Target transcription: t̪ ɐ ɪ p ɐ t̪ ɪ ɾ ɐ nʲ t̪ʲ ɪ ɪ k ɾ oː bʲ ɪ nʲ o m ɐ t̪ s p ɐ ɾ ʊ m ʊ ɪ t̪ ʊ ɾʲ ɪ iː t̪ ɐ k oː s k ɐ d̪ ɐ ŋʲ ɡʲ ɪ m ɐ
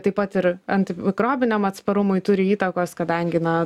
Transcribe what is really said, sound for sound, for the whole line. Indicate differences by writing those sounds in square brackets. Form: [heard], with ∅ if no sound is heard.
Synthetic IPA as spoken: t̪ ɐ ɪ p ɐ t̪ ɪ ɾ ɐ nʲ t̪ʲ ɪ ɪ k ɾ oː bʲ ɪ nʲ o m ɐ t̪ s p ɐ ɾ ʊ m ʊ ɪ t̪ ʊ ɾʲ ɪ iː t̪ ɐ k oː s k ɐ d̪ ɐ ŋʲ ɡʲ ɪ [n] ɐ